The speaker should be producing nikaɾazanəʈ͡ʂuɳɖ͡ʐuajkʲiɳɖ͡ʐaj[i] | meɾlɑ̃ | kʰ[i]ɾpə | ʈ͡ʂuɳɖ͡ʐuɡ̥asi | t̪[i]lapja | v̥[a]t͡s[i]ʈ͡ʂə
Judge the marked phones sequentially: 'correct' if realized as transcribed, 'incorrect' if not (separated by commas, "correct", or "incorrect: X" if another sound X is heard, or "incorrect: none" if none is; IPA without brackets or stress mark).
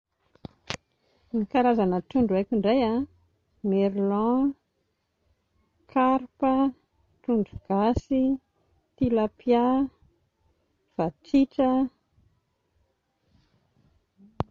incorrect: a, incorrect: a, correct, correct, correct